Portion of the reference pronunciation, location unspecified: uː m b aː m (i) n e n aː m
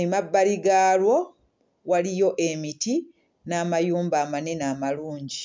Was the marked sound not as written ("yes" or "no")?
yes